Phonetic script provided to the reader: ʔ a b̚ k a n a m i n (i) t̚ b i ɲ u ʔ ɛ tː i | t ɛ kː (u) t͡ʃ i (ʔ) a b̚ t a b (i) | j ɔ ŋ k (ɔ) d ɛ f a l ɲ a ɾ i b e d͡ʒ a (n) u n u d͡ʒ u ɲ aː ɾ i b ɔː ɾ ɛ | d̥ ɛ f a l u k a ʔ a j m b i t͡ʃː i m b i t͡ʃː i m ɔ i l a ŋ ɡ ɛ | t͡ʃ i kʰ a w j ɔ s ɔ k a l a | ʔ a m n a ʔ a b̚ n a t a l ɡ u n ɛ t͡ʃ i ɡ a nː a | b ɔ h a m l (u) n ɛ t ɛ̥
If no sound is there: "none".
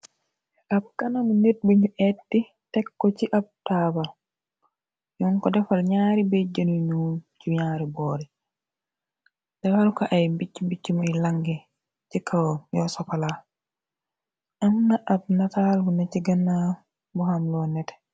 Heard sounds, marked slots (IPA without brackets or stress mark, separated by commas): e, ɔ, ʔ, a, ɔ, n, ɔ